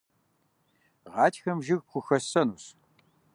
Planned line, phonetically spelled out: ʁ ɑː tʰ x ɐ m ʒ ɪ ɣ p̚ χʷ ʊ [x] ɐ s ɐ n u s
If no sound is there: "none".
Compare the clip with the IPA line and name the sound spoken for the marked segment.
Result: x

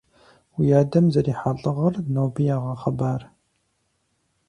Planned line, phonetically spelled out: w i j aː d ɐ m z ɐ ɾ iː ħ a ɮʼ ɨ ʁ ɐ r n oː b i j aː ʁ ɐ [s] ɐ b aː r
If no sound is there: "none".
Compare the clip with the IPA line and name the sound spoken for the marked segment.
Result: χ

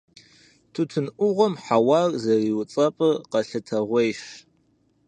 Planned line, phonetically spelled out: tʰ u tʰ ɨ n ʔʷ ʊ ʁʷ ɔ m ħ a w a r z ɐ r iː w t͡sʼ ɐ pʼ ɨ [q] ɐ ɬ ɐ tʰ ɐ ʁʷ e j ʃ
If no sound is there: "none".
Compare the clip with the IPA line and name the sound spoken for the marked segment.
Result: q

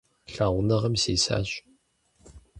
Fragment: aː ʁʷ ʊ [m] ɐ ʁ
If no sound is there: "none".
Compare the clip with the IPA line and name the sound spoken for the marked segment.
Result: n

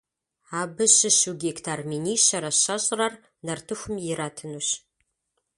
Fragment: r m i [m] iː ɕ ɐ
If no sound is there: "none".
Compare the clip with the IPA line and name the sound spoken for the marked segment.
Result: n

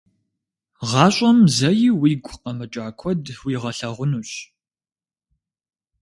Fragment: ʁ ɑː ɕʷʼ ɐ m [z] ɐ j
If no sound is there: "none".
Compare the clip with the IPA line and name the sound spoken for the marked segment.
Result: z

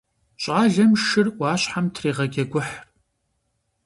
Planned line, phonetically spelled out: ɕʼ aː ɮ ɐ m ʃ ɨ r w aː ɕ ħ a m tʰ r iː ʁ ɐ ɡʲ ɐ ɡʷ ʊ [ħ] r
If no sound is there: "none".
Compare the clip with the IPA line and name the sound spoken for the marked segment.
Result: ħ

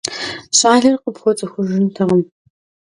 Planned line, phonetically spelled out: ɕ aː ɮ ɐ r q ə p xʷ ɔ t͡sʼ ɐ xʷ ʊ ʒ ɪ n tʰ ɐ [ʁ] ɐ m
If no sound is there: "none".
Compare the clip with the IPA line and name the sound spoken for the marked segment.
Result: ʁ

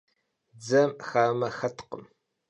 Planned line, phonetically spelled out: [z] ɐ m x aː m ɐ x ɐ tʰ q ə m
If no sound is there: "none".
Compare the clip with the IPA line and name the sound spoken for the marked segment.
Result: d͡z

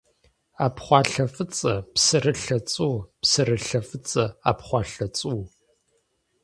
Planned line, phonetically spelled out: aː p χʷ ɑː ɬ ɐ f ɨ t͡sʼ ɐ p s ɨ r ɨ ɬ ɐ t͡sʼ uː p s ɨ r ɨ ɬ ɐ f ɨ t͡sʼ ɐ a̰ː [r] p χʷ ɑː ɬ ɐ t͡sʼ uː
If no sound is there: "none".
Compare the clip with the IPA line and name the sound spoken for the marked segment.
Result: none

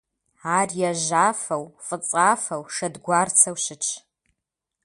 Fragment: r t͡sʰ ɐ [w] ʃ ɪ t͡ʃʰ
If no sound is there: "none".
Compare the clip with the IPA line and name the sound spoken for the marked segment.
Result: w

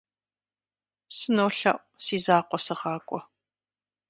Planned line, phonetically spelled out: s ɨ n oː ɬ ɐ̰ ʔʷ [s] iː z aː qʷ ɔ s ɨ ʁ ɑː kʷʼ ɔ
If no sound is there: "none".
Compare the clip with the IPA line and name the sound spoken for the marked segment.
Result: s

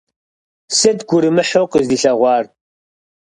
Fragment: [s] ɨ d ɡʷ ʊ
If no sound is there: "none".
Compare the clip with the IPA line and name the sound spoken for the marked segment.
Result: s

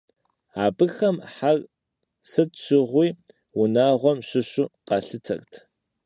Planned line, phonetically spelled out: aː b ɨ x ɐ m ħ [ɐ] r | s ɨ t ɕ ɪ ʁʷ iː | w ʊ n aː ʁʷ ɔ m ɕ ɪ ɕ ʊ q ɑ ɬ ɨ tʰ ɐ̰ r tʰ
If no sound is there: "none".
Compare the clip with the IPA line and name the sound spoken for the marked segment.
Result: a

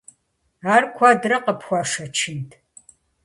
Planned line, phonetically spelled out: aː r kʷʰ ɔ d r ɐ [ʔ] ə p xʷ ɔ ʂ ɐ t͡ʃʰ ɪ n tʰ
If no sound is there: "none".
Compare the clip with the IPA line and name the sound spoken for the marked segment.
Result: q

